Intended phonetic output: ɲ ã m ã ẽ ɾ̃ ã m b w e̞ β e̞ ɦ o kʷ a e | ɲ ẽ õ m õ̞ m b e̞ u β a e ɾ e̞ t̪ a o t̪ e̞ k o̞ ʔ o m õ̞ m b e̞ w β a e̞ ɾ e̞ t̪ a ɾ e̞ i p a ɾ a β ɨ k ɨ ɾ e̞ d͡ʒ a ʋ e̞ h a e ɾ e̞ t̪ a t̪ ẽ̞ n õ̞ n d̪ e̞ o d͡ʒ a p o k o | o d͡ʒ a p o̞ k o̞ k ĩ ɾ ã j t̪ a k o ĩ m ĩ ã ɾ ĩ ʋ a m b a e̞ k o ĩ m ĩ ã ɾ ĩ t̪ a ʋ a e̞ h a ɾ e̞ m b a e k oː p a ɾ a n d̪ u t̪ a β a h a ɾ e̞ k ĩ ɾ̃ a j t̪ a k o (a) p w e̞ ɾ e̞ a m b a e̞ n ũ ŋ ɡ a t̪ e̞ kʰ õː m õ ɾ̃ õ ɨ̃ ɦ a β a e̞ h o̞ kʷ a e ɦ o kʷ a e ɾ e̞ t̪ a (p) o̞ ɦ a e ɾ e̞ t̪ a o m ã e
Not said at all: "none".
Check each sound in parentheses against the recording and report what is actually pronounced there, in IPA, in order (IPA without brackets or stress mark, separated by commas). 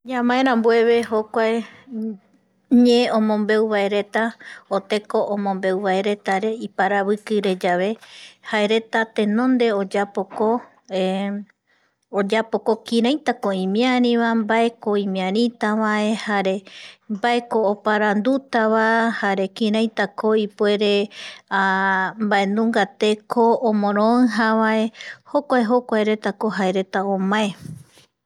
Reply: i, k